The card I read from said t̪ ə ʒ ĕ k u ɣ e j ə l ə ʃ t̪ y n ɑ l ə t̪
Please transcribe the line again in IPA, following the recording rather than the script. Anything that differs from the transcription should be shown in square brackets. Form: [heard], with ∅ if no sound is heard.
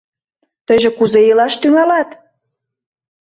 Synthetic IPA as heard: t̪ ə ʒ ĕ k u [z] e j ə l [ɑ] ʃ t̪ y [ŋ] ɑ l [ɑ] t̪

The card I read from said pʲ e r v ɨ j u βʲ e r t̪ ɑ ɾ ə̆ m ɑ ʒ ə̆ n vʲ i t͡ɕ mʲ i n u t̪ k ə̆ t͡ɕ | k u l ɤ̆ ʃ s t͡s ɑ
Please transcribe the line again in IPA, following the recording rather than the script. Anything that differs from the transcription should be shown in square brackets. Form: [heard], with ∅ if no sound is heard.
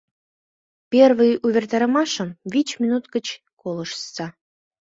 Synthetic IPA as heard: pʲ e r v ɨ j u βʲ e r t̪ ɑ ɾ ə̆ m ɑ [ʃ] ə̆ [m] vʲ i t͡ɕ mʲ i n u t̪ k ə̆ t͡ɕ | k [o] l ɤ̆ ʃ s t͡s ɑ

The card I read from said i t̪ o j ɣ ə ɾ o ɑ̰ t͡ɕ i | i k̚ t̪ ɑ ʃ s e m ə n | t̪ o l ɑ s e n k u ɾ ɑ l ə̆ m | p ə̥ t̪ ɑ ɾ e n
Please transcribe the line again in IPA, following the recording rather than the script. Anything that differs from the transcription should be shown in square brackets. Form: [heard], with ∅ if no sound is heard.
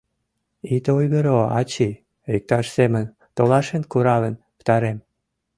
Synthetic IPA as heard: i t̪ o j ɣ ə ɾ o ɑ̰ t͡ɕ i | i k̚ t̪ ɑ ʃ s e m ə n | t̪ o l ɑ [ʃ] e n k u ɾ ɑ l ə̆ [n] | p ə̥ t̪ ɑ ɾ e [m]

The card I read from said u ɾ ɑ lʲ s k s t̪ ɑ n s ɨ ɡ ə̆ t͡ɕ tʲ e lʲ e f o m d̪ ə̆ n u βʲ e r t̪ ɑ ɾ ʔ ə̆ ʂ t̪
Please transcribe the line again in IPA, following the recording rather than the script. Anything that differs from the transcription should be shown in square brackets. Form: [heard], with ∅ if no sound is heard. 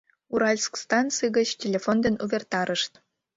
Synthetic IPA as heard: u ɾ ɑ lʲ s k s t̪ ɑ n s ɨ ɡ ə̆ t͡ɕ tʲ e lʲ e f o [n] d̪ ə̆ n u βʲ e r t̪ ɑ ɾ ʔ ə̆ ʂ t̪

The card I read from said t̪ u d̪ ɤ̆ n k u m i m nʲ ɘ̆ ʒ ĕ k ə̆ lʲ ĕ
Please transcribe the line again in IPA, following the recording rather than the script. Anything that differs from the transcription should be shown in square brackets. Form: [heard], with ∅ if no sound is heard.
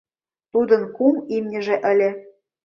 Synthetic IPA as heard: t̪ u d̪ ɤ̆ n k u m i m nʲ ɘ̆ ʒ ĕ [ʔ] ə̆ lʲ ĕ

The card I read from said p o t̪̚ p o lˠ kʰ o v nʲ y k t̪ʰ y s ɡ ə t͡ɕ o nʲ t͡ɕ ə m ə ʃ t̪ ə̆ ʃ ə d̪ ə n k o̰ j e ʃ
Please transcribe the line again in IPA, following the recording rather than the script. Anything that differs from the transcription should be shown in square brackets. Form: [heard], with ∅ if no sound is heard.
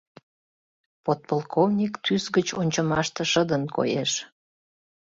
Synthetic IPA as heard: p o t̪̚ p o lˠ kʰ o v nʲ [i] k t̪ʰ y s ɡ ə t͡ɕ o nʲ t͡ɕ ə m [ɑ] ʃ t̪ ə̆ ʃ ə d̪ ə n k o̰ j e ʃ

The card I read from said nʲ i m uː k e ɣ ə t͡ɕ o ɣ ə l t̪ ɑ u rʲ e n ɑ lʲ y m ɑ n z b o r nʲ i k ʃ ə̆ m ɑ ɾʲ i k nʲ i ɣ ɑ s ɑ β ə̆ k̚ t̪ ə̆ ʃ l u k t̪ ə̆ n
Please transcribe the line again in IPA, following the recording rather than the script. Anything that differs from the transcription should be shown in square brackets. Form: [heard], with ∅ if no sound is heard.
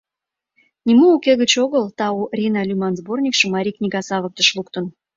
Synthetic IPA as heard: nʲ i m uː k e ɣ ə t͡ɕ o ɣ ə l t̪ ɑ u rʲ [i] n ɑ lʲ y m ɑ n z b o r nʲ i k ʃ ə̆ m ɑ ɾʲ i k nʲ i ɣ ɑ s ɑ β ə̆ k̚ t̪ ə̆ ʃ l u k t̪ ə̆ n

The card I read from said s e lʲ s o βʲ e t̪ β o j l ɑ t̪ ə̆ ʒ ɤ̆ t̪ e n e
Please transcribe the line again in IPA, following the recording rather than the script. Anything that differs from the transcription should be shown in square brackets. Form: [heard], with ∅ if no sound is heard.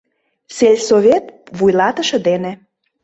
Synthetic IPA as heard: s e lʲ s o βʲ e t̪ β [u] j l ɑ t̪ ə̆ [ʃ] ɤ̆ [d̪] e n e

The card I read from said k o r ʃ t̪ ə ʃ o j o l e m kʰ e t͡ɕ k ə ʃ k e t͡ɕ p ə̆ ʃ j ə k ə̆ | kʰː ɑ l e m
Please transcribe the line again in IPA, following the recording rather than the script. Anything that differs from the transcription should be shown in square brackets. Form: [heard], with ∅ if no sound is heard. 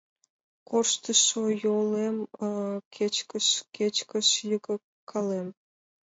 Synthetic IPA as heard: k o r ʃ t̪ ə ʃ o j o l e m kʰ e t͡ɕ k ə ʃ k e t͡ɕ [k] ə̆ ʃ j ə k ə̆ | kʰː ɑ l e m

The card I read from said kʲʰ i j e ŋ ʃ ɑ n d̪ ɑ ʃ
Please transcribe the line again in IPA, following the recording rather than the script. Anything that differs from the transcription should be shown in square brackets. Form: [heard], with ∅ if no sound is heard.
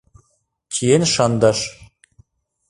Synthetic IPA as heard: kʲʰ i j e [n] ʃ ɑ n d̪ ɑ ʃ

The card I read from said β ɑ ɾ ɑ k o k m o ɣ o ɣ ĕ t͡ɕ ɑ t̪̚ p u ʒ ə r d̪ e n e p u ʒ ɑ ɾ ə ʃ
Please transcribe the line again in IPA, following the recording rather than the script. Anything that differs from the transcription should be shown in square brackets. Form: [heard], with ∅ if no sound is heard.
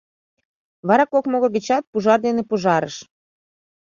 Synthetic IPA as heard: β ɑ ɾ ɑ k o k m o ɣ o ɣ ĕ t͡ɕ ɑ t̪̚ p u ʒ [ɑ] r d̪ e n e p u ʒ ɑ ɾ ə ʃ

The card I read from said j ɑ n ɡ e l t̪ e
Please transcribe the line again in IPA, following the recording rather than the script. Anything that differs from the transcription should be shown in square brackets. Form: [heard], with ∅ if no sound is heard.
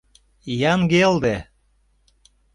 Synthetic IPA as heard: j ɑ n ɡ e l [d̪] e

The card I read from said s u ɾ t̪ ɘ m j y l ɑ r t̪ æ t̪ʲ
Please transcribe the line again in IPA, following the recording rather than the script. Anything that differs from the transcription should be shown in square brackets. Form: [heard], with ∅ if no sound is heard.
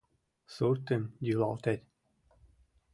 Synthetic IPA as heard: s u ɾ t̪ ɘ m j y l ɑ [l] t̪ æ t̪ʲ

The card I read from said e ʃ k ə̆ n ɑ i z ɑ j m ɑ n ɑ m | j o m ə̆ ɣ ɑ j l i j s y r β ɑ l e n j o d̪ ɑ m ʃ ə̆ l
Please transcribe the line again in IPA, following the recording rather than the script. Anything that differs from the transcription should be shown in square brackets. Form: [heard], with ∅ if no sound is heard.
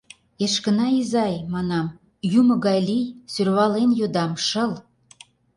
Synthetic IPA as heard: e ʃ k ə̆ n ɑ i z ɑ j m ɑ n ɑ m | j [u] m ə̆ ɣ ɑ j l i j s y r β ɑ l e n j o d̪ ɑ m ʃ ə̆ l

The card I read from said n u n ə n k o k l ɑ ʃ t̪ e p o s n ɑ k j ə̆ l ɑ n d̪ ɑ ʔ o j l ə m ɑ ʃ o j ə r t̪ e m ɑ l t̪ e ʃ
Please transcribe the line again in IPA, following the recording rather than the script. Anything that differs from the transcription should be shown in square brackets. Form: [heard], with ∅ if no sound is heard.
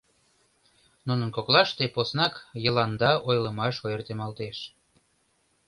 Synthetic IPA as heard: n u n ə n k o k l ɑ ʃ t̪ e p o s n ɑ k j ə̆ l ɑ n d̪ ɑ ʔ o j l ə m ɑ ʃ o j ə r t̪ e m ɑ l t̪ e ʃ

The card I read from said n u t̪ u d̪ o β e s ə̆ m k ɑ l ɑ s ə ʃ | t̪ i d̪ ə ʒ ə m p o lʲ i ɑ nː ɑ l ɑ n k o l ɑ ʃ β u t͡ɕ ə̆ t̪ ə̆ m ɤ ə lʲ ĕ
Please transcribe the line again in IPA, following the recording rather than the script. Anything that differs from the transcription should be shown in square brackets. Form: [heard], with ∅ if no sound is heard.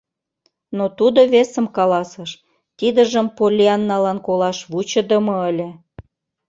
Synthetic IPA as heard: n [o] t̪ u d̪ o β e s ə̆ m k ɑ l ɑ s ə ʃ | t̪ i d̪ ə ʒ ə m p o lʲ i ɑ nː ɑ l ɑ n k o l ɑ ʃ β u t͡ɕ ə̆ [d̪] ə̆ m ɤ ə lʲ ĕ

